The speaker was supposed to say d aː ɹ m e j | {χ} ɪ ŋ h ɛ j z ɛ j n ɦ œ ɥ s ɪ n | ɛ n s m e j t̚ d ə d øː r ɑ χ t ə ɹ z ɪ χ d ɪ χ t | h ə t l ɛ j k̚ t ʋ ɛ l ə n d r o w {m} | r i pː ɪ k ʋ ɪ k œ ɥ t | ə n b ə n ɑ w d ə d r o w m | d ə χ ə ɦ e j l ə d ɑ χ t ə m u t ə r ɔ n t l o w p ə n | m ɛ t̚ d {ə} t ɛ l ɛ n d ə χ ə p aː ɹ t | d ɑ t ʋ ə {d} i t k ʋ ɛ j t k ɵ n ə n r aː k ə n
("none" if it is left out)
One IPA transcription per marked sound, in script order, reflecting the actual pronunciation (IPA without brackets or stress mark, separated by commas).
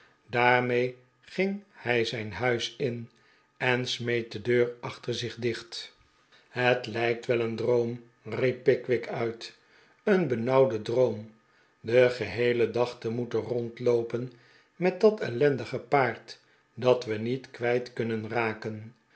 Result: χ, m, ɑ, n